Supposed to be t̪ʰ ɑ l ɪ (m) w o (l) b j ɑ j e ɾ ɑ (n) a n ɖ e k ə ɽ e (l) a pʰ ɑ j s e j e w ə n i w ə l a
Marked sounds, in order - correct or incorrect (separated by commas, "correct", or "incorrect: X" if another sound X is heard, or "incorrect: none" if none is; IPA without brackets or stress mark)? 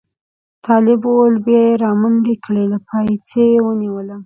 incorrect: b, correct, incorrect: m, correct